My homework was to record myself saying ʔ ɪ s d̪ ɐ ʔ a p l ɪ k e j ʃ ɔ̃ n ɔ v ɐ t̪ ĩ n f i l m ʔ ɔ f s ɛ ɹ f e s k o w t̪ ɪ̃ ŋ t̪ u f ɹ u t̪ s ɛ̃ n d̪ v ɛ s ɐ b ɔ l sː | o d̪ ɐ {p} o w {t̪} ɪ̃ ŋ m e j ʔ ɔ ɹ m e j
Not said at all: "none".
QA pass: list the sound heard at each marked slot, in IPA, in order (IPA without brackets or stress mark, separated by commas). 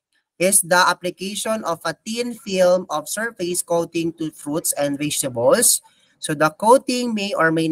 k, t̪